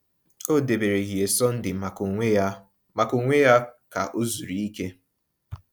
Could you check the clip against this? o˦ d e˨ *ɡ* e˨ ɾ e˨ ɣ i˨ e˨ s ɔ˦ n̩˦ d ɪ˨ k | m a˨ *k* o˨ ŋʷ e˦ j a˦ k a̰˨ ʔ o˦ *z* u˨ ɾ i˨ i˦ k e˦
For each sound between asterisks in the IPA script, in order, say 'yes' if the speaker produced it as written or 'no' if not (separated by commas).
no, yes, yes